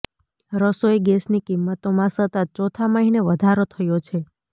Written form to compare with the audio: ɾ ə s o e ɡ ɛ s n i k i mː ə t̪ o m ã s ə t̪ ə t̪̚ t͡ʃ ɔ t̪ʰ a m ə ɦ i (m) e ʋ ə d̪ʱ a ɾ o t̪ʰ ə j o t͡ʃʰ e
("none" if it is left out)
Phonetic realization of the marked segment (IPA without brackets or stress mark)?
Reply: n